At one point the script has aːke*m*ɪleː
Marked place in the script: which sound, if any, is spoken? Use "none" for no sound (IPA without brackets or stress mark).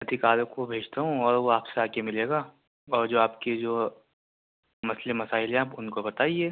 m